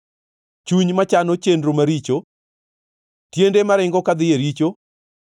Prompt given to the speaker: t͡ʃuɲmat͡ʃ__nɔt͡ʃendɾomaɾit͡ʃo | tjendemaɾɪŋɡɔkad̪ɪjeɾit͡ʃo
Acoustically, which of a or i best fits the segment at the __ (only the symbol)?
a